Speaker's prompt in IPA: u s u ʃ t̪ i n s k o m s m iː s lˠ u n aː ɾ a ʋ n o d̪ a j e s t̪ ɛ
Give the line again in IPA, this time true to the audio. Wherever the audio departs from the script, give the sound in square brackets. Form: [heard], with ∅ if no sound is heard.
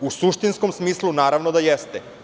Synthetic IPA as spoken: u s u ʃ t̪ i n s k o m s m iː s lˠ u n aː ɾ a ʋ n o d̪ a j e s t̪ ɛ